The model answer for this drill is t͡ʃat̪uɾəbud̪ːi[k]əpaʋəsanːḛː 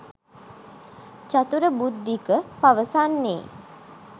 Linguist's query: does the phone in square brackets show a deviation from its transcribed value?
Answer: no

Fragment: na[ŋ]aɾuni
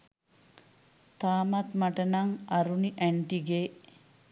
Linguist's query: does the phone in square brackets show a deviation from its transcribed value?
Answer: no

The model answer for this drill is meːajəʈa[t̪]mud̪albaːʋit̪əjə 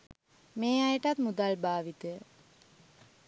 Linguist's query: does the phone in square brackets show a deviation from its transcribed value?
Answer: no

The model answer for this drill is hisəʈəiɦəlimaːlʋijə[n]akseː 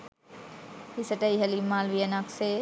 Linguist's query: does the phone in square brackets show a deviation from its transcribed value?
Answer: no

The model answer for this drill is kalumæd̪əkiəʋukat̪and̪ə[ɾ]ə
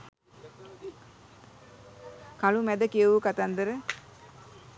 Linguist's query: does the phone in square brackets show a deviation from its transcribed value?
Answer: no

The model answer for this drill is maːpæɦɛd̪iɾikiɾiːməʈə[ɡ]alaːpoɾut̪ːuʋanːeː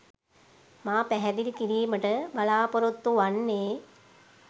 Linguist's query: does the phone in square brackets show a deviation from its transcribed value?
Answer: yes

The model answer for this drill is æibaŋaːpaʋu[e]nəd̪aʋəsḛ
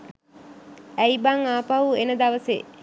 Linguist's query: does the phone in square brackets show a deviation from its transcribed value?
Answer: no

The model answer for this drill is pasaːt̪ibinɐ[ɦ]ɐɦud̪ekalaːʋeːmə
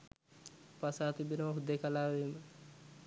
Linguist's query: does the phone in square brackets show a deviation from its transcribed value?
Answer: yes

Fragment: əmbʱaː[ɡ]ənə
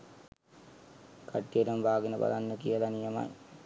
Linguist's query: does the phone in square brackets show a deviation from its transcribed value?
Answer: no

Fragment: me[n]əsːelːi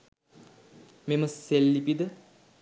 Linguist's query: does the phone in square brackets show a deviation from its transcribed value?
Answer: yes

